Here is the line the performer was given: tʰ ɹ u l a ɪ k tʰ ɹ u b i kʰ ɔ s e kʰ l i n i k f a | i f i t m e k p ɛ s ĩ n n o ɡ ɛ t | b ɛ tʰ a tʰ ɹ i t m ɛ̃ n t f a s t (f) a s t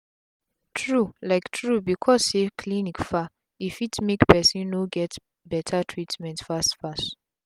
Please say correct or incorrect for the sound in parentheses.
correct